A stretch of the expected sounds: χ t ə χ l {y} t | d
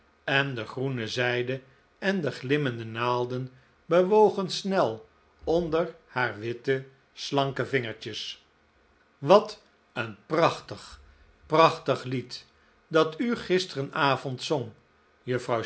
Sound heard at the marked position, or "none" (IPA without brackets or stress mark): i